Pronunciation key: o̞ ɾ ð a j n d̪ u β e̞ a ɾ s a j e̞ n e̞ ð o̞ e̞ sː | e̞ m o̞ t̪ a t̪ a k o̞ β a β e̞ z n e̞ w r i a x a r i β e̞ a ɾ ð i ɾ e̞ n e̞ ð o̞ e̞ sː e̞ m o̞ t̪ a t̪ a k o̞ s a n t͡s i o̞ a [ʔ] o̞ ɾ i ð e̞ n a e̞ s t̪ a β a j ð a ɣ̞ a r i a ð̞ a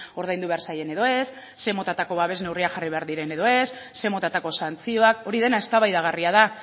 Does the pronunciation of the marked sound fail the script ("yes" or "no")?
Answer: yes